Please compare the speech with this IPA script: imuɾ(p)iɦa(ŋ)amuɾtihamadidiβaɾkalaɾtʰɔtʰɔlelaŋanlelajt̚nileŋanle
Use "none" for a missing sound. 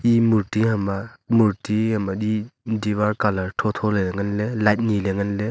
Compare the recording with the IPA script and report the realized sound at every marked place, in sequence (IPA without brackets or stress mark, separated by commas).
t, m